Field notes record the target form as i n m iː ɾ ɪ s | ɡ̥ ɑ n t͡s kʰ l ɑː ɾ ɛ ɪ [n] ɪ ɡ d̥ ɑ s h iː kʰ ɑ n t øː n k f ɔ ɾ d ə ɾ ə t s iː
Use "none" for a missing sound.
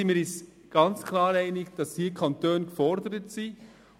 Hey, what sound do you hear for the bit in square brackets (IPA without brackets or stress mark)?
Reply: n